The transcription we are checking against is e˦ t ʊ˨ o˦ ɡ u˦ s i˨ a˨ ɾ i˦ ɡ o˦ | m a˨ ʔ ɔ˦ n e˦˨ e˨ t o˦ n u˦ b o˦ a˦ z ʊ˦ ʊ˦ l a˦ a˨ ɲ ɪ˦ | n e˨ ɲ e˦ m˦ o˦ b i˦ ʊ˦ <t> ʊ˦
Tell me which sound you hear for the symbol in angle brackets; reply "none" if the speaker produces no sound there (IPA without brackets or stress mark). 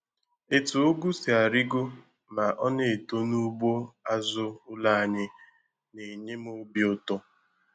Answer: t